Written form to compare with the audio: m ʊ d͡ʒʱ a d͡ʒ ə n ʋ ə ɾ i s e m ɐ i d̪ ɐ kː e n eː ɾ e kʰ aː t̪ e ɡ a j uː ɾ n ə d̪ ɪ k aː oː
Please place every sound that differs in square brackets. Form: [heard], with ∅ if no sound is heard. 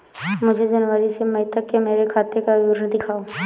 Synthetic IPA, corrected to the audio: m ʊ d͡ʒʱ [e] d͡ʒ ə n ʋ ə ɾ i s e m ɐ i [t̪] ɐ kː e [m] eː ɾ e kʰ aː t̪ e [k] a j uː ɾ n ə d̪ ɪ [kʰ] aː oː